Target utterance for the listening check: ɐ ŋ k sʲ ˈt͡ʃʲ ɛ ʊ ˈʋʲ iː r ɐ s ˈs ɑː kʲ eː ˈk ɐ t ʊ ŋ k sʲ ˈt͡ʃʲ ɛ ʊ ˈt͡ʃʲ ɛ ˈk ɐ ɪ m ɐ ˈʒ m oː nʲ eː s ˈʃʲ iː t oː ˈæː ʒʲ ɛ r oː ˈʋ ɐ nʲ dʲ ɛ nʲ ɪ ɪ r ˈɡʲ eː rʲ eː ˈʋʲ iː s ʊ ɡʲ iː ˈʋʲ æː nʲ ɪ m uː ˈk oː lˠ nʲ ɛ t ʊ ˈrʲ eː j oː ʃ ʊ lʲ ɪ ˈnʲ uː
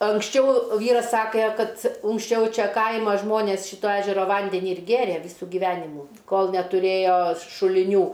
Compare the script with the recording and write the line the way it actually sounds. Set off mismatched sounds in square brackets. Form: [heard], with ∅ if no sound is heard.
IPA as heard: ɐ ŋ k sʲ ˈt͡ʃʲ ɛ ʊ ˈʋʲ iː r ɐ s ˈs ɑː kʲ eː ˈk ɐ t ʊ ŋ k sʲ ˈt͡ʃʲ ɛ ʊ ˈt͡ʃʲ ɛ ˈk ɐ ɪ m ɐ ˈʒ m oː nʲ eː s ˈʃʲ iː t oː ˈæː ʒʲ ɛ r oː ˈʋ ɐ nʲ dʲ ɛ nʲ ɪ ɪ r ˈɡʲ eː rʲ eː ˈʋʲ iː s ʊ ɡʲ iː ˈʋʲ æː nʲ ɪ m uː ˈk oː lˠ nʲ ɛ t ʊ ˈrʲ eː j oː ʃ ʊ lʲ ɪ ˈnʲ uː